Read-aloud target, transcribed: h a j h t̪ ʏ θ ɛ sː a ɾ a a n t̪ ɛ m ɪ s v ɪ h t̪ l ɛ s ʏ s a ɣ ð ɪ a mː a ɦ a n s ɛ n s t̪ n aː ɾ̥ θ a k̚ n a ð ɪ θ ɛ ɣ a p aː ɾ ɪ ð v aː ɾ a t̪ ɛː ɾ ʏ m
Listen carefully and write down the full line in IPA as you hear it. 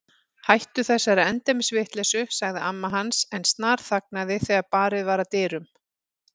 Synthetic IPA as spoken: h a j h t̪ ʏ θ ɛ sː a ɾ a ɛ n t̪ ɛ m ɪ s v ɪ h t̪ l ɛ s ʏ s a ɣ ð ɪ a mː a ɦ a n s ɛ n s t̪ n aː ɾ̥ θ a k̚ n a ð ɪ θ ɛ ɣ a p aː ɾ ɪ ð v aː ɾ a t̪ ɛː ɾ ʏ m